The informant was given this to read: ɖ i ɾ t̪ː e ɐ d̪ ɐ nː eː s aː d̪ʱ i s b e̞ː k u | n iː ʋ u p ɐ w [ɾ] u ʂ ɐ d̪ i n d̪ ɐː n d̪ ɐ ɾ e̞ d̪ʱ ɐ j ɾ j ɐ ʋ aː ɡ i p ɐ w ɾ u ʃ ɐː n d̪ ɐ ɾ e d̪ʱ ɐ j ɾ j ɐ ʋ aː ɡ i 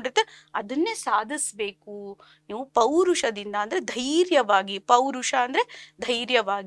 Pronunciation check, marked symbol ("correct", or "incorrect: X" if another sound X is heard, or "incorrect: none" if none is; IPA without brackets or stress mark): correct